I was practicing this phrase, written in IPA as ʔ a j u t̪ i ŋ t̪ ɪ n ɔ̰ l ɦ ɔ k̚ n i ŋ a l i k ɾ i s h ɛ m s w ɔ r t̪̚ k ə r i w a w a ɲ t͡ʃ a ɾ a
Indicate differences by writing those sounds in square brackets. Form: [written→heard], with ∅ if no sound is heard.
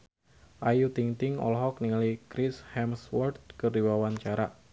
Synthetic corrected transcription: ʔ a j u t̪ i ŋ t̪ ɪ [n→ŋ] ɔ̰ l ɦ ɔ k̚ n i ŋ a l i k ɾ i s h ɛ m s w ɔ r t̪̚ k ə r i w a w a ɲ t͡ʃ a ɾ a

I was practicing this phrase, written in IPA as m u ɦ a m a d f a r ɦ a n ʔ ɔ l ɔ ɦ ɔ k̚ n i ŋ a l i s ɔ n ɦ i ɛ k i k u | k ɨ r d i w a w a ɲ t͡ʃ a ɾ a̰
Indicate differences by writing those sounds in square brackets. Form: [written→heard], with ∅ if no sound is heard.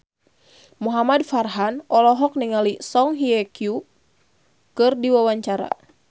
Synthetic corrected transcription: m u ɦ a m a d f a r ɦ a n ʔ ɔ l ɔ ɦ ɔ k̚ n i ŋ a l i s ɔ [n→ŋ] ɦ i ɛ k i [k→∅] u | k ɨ r d i w a w a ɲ t͡ʃ a ɾ a̰

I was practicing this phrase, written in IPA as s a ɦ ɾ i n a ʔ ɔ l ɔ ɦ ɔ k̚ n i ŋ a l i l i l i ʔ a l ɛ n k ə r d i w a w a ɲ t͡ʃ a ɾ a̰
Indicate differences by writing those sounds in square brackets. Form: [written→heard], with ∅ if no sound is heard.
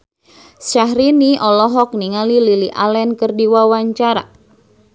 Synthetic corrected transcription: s a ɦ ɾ i n [a→i] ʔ ɔ l ɔ ɦ ɔ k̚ n i ŋ a l i l i l i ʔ a l ɛ n k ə r d i w a w a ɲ t͡ʃ a ɾ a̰

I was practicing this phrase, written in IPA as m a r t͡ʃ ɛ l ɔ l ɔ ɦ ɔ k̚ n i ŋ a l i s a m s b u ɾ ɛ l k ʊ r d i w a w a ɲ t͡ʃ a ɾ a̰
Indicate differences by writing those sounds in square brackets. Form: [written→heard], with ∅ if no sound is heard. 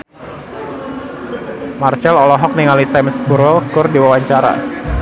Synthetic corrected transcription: m a r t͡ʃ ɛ l ɔ l ɔ ɦ ɔ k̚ n i ŋ a l i s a m s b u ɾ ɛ l k ʊ r d i w a w a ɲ t͡ʃ a ɾ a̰

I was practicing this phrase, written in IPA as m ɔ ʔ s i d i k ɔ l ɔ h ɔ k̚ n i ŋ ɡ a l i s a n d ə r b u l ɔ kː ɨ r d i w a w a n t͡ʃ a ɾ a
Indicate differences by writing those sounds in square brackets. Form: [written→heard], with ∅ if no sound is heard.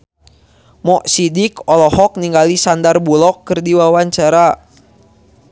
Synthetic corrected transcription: m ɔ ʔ s i d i k ɔ l ɔ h ɔ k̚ n i ŋ ɡ a l i s a n d [ə→a] r b u l ɔ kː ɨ r d i w a w a [n→ɲ] t͡ʃ a ɾ a

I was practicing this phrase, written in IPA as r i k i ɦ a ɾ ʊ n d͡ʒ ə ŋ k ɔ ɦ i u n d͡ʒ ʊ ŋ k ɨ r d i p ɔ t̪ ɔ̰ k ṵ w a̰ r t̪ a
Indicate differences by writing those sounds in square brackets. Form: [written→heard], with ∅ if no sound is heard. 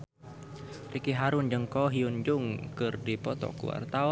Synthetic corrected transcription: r i k i ɦ a ɾ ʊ n d͡ʒ ə ŋ k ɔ ɦ i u n d͡ʒ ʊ ŋ k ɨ r d i p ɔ t̪ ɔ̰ k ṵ w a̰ r t̪ a

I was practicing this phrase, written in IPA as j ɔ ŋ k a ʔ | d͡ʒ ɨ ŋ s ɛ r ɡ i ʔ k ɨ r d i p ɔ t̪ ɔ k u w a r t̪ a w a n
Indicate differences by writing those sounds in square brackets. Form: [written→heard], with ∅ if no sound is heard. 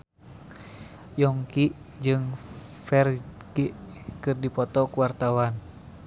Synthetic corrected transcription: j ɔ ŋ k [a→i] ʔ | d͡ʒ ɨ ŋ [s→f] ɛ r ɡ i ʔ k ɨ r d i p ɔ t̪ ɔ k u w a r t̪ a w a n

